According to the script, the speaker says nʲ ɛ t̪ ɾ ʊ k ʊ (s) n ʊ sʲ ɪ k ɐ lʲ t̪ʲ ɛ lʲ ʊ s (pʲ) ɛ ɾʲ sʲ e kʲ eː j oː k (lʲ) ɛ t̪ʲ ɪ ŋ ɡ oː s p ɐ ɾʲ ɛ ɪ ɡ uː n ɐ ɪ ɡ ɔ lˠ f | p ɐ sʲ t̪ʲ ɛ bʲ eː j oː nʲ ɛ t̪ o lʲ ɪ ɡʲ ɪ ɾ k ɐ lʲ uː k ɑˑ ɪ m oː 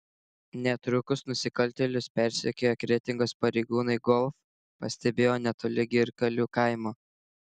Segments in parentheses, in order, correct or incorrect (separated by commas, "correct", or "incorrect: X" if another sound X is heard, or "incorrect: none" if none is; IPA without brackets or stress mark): correct, correct, incorrect: ɾʲ